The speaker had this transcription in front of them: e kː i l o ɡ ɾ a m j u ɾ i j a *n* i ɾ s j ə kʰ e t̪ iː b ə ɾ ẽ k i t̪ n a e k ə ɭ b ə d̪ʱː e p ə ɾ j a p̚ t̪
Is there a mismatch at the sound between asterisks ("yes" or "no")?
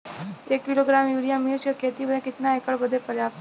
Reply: yes